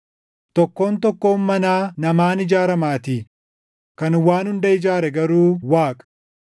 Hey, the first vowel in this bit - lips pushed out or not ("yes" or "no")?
yes